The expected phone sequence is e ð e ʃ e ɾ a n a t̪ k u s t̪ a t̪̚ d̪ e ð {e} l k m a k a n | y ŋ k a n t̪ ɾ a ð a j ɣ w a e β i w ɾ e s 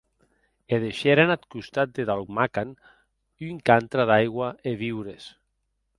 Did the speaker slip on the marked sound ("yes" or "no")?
yes